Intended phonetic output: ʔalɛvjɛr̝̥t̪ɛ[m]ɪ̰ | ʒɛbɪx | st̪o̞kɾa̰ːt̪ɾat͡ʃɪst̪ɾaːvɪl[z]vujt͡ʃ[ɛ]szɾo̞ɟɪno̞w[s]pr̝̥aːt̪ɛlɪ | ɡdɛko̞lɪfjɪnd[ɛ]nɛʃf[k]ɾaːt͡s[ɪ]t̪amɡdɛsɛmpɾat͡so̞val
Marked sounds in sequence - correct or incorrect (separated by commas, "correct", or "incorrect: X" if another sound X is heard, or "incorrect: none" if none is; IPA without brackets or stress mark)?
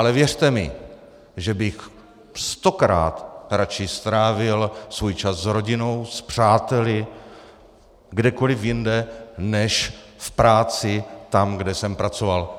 correct, incorrect: s, incorrect: a, correct, correct, incorrect: p, correct